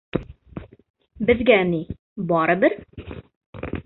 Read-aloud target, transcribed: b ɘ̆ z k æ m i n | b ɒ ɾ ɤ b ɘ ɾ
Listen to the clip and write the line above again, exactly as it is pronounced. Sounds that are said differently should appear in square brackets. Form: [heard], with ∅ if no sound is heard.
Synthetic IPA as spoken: b ɘ̆ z [ɡ] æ [n] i [∅] | b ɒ ɾ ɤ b ɘ ɾ